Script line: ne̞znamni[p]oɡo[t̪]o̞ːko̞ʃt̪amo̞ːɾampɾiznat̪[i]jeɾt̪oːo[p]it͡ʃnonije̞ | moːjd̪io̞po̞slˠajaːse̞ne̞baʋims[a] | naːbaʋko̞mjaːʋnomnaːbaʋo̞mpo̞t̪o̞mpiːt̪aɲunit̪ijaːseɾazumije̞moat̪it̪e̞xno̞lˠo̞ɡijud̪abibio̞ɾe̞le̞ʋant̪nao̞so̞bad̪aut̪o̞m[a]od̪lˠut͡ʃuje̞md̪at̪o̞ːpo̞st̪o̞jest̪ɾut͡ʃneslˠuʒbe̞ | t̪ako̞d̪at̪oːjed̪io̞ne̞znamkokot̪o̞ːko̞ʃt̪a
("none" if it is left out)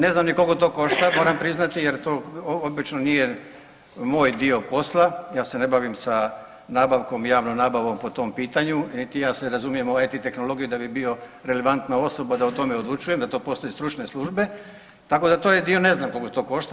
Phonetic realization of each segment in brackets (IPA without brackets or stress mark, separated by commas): k, t̪, i, b, a, e